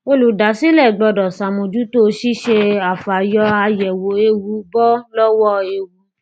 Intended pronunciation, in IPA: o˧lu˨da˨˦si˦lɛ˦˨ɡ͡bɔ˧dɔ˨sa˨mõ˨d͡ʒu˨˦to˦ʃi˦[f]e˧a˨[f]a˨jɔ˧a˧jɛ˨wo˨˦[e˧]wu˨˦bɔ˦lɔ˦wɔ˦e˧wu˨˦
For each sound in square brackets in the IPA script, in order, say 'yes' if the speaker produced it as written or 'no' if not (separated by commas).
no, yes, yes